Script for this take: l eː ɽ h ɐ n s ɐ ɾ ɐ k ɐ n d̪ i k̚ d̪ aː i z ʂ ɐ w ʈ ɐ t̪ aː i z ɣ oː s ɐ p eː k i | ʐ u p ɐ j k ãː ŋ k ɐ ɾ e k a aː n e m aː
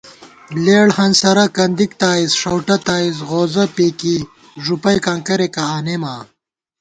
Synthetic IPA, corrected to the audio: l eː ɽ h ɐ n s ɐ ɾ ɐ k ɐ n d̪ i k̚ t̪ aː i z ʂ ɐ w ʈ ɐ t̪ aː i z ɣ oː z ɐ p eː k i | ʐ u p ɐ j k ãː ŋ k ɐ ɾ e k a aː n e m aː